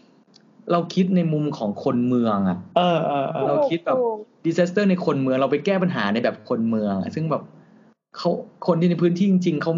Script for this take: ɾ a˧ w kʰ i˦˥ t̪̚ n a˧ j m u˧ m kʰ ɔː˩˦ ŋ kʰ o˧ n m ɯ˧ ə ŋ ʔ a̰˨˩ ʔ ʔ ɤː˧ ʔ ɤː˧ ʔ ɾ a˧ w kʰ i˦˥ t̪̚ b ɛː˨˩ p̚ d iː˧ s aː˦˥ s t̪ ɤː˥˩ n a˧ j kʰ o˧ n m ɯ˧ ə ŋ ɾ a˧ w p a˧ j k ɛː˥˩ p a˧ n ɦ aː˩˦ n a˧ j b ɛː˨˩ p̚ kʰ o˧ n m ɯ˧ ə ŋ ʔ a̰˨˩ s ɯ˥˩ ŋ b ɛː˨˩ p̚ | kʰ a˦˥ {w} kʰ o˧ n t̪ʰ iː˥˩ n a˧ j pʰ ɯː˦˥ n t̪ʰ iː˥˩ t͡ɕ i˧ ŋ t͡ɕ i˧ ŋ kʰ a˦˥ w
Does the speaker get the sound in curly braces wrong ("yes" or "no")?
no